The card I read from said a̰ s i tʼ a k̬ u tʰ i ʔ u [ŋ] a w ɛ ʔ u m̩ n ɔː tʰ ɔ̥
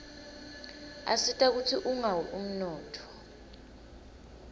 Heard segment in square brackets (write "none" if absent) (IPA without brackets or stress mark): ŋ